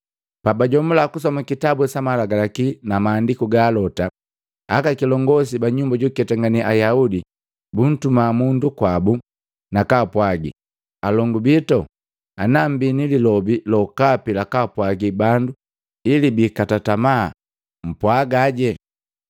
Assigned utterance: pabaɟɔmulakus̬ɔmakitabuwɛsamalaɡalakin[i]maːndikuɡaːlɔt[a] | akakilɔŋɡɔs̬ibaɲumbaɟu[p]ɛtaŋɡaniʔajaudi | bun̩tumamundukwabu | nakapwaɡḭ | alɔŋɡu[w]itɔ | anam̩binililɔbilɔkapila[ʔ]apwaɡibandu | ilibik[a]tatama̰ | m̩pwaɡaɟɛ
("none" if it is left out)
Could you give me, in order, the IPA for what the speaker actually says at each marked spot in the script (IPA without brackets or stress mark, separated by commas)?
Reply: a, a, k, b, k, a